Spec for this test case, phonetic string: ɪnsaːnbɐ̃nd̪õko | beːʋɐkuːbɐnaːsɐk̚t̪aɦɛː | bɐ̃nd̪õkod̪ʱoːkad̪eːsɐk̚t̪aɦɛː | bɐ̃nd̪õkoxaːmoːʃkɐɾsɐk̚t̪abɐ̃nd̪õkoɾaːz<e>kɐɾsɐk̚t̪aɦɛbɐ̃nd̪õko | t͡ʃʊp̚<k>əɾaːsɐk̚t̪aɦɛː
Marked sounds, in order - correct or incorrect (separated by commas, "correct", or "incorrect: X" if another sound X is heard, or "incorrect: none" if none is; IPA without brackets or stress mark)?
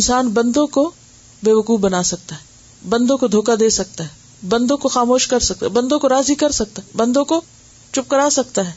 incorrect: i, correct